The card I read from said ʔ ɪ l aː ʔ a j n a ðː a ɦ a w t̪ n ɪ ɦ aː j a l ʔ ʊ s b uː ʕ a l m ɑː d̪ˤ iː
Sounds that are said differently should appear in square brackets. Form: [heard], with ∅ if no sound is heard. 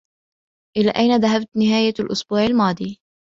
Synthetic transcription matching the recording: ʔ ɪ l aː ʔ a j n a [ð] a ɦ a [b] t̪ n ɪ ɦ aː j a l ʔ ʊ s b uː ʕ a l m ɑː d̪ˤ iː